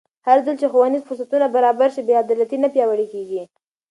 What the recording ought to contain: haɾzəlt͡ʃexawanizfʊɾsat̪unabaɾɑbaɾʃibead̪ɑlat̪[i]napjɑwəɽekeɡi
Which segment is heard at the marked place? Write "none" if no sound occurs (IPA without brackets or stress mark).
i